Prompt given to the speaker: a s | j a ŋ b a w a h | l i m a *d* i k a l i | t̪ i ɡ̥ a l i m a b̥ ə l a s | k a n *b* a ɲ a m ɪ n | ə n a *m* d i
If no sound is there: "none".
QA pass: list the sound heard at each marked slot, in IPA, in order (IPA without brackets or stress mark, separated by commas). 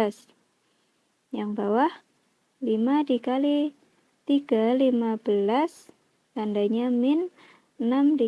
d, d, m